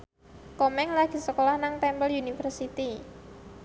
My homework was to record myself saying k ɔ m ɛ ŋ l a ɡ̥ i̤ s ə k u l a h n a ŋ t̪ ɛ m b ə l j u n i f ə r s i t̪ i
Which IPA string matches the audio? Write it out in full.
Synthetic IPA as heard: k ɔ m ɛ ŋ l a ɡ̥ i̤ s ə k o l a h n a ŋ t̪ ɛ m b ə l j u n i f ə r s i t̪ i